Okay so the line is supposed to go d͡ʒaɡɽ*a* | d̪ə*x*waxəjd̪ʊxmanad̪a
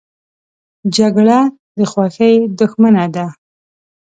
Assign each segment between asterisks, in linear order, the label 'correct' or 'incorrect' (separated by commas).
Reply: correct, correct